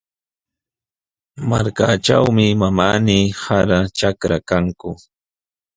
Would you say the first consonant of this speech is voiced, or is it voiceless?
voiced